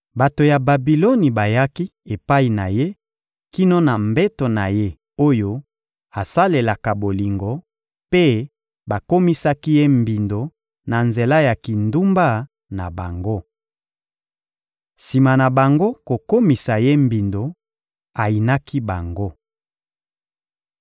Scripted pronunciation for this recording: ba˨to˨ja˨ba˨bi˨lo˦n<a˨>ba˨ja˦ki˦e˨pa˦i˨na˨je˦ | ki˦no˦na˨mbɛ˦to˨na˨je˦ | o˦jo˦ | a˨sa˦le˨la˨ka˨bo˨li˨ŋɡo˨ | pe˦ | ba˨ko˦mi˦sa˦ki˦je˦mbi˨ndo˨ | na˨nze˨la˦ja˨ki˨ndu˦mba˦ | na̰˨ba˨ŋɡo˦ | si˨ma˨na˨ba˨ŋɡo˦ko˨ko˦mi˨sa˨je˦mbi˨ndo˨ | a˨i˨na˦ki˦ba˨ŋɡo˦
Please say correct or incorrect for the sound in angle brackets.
incorrect